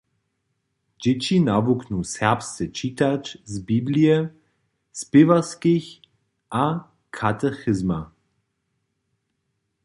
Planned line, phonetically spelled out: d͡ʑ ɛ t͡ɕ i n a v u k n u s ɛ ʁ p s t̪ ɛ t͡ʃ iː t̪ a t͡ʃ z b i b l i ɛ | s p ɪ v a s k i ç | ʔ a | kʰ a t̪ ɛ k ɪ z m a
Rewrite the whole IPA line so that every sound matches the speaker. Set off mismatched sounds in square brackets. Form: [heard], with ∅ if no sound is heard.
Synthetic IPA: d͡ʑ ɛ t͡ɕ i n a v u k n u s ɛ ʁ p s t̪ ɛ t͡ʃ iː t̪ a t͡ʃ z b i b l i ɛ | s p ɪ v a s k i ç | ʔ a | kʰ a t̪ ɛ [x] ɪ z m a